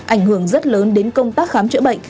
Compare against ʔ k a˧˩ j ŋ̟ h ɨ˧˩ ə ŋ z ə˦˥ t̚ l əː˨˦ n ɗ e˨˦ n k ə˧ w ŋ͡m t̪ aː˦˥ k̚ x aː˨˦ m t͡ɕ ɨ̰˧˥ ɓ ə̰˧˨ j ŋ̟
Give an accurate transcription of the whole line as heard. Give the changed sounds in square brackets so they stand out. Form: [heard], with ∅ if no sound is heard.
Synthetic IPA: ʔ [ʔ] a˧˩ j ŋ̟ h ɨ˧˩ ə ŋ z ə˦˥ t̚ l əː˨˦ n ɗ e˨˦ n k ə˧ w ŋ͡m t̪ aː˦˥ k̚ x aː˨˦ m t͡ɕ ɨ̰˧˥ ɓ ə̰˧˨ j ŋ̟